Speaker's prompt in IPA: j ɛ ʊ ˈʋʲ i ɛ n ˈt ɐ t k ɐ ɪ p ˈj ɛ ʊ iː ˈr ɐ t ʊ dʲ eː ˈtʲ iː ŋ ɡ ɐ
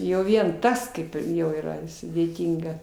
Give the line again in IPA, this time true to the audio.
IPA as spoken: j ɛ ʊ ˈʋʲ i ɛ n ˈt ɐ s k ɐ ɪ p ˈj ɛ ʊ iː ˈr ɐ s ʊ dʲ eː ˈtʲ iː ŋ ɡ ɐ